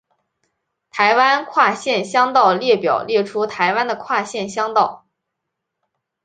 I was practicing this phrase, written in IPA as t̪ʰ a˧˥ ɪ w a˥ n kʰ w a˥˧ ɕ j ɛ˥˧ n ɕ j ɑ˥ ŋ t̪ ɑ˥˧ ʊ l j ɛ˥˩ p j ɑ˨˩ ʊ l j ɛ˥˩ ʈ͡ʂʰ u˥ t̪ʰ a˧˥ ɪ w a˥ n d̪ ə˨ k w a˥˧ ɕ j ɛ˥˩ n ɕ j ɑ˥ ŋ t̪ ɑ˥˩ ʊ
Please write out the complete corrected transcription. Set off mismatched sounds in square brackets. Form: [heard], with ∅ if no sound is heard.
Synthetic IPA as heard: t̪ʰ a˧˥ ɪ w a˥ n kʰ w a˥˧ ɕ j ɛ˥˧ n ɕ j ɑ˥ ŋ t̪ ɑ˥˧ ʊ l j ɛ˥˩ p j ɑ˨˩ ʊ l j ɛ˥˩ ʈ͡ʂʰ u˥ t̪ʰ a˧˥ ɪ w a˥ n d̪ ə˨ [kʰ] w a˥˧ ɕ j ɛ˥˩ n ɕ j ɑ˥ ŋ t̪ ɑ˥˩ ʊ